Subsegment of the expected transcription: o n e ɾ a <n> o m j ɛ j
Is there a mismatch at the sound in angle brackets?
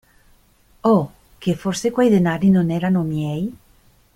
no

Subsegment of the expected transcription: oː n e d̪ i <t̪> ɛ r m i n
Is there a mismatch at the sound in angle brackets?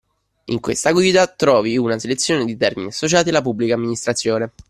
no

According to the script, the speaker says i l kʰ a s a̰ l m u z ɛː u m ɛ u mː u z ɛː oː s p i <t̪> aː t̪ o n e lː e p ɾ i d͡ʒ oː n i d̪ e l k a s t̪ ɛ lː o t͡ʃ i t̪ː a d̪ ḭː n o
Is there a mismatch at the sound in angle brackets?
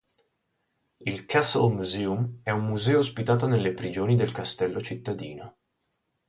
no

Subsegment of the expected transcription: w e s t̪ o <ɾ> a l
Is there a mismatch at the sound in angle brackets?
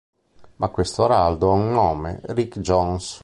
no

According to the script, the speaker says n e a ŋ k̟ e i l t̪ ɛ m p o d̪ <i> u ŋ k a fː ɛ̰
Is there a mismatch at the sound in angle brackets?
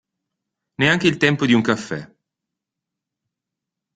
no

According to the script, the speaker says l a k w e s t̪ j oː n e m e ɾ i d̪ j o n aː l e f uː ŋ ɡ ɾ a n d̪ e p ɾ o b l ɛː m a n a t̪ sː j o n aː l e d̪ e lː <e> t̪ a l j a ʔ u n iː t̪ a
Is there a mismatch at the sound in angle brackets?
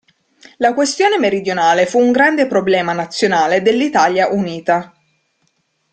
yes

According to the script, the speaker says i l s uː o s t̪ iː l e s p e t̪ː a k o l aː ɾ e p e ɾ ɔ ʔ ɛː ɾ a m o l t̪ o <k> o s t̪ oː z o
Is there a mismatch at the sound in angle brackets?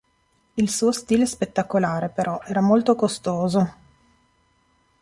no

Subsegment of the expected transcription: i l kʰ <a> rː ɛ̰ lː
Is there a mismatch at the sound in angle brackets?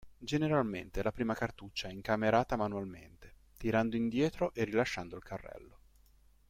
no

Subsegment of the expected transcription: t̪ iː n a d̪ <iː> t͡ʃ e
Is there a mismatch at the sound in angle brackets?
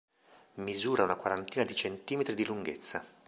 yes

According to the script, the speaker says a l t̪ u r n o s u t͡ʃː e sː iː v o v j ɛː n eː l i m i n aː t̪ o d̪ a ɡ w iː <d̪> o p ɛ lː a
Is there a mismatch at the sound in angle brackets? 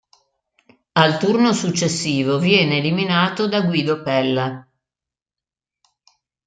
no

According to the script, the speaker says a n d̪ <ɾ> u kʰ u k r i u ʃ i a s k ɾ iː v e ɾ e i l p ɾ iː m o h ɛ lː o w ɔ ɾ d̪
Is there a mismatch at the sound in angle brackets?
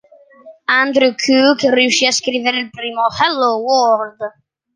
no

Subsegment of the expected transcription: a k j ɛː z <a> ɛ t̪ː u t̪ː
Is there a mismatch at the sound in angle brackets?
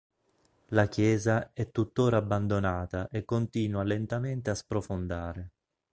no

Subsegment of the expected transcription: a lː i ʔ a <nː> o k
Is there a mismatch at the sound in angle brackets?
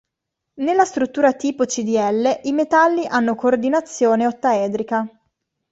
no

